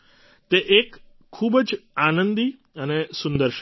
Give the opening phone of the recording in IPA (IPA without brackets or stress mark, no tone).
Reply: t̪